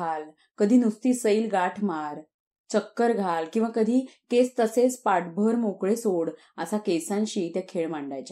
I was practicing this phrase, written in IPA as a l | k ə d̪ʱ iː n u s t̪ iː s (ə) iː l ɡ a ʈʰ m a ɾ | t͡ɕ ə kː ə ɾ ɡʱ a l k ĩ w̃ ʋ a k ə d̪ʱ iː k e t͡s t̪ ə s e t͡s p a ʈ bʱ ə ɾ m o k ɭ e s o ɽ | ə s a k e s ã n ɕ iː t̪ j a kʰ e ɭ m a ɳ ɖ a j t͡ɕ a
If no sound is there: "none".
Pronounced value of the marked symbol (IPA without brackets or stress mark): ə